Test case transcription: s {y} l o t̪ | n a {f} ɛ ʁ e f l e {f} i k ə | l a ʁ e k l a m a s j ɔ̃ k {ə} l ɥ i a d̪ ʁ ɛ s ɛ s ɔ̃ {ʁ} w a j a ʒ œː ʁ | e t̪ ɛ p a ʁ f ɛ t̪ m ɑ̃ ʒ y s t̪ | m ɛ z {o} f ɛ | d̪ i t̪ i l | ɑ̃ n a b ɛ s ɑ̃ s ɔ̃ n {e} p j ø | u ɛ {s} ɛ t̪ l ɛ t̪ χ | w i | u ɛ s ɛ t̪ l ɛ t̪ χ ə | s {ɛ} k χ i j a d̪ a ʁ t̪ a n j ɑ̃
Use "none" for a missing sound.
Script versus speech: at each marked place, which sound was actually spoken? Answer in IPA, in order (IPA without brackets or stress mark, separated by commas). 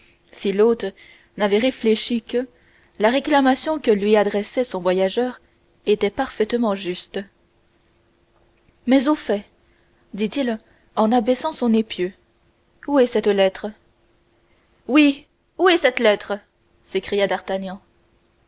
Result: i, v, ʃ, ə, v, o, e, s, e